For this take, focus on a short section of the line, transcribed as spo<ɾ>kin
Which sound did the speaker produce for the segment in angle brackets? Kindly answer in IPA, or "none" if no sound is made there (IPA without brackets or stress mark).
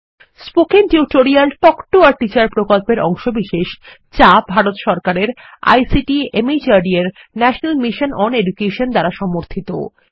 none